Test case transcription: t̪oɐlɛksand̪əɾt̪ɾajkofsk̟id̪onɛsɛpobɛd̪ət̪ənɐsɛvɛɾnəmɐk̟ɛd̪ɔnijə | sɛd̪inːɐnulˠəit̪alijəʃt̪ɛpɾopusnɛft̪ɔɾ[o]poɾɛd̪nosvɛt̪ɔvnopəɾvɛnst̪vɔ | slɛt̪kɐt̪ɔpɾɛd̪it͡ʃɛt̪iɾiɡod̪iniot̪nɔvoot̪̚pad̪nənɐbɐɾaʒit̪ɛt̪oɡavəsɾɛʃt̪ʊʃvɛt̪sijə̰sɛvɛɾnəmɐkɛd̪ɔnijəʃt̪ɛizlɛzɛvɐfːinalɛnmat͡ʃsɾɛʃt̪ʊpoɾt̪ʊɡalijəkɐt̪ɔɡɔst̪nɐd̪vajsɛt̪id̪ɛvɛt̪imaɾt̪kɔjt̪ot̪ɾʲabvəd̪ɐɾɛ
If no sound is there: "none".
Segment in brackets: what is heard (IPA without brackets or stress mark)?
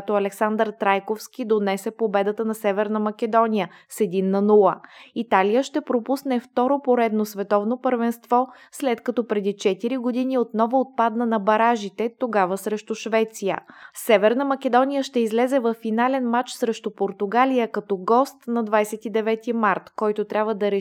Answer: o